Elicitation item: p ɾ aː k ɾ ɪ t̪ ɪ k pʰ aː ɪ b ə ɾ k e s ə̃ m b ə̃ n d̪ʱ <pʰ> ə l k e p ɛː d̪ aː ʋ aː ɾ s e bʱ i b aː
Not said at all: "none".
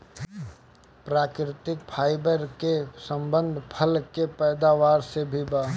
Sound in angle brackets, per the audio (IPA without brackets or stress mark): pʰ